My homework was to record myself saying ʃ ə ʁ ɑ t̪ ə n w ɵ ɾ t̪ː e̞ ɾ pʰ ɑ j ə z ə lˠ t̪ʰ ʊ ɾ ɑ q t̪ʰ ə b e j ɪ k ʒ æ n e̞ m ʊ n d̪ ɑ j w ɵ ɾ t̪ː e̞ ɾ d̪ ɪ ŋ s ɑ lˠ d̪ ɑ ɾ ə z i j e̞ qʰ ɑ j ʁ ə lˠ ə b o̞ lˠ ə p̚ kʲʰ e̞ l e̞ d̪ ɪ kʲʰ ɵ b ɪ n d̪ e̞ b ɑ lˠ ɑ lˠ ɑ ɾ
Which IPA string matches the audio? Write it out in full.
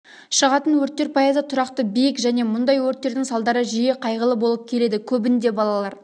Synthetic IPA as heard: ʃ ə ʁ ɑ t̪ ə n w ɵ ɾ t̪ː e̞ ɾ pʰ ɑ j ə z ə t̪ʰ ʊ ɾ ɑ q t̪ ə b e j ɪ k ʒ æ n e̞ m ʊ n d̪ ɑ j w ɵ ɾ t̪ː e̞ ɾ d̪ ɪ ŋ s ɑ lˠ d̪ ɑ ɾ ə ʒ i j e̞ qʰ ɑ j ʁ ə lˠ ə b o̞ lˠ ə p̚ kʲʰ e̞ l e̞ d̪ ɪ kʲʰ ɵ b ɪ n d̪ e̞ b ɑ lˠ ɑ lˠ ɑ ɾ